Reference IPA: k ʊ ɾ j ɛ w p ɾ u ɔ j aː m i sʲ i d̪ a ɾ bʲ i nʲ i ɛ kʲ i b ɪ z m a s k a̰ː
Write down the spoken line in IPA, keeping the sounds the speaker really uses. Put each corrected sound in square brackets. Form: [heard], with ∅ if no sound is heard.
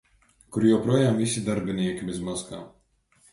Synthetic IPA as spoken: k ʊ ɾ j ɛ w p ɾ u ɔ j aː m i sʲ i d̪ a ɾ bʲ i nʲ i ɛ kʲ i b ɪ z m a s k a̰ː